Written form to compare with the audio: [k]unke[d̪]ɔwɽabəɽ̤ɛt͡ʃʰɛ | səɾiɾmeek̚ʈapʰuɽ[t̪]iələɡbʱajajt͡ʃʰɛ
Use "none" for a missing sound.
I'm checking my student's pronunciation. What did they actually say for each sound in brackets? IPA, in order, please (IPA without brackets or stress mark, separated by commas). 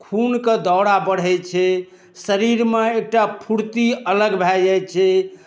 kʰ, d̪, t̪